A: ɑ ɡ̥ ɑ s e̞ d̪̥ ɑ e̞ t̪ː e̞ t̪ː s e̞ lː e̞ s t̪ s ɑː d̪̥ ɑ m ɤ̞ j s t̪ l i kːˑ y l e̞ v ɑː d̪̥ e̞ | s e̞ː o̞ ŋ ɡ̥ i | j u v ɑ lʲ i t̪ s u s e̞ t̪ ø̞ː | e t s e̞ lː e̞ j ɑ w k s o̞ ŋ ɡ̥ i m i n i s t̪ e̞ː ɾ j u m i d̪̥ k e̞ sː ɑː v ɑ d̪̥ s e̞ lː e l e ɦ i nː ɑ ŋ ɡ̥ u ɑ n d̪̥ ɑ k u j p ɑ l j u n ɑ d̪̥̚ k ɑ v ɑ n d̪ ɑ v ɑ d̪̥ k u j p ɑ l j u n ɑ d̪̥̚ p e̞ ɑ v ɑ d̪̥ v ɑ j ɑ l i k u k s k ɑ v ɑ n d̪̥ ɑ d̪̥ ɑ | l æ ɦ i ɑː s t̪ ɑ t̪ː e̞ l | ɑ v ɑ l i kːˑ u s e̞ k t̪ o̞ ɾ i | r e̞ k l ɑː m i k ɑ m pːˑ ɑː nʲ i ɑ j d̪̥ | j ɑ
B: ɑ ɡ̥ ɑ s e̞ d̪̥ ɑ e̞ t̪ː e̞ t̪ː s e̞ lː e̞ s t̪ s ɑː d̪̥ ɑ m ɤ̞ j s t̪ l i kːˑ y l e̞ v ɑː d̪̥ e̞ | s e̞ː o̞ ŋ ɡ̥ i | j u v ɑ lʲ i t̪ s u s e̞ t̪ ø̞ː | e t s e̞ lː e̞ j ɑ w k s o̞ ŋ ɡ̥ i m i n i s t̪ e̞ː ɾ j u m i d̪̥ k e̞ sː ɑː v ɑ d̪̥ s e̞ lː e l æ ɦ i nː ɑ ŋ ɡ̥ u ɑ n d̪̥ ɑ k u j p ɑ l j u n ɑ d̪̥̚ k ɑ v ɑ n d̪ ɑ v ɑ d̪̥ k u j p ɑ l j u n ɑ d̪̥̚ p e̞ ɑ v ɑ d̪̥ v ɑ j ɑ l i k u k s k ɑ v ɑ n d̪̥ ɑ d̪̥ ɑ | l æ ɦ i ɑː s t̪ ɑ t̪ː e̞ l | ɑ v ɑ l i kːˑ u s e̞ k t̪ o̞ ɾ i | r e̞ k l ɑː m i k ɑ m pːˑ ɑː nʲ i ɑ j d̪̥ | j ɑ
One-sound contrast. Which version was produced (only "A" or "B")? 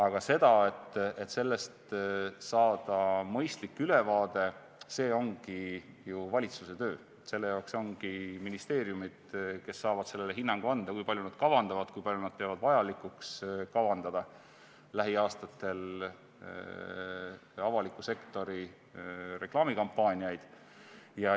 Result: A